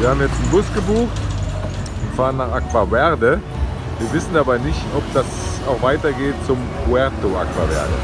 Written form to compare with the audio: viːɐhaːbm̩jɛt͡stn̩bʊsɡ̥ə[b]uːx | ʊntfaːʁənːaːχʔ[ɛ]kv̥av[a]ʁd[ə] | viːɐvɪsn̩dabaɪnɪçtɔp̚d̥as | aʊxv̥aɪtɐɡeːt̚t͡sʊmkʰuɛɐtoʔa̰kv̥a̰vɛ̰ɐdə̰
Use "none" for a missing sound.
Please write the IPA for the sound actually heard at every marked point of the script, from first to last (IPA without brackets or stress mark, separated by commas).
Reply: b, a, ɛ, ə